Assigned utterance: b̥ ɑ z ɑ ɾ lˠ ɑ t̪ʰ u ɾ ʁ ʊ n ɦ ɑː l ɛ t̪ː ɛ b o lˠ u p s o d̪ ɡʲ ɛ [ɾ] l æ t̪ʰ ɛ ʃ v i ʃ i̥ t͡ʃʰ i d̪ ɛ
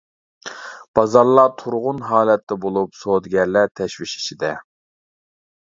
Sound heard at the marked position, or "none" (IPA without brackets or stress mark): ɾ